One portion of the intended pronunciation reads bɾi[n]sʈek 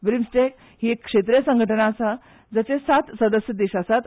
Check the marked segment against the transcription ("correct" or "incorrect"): incorrect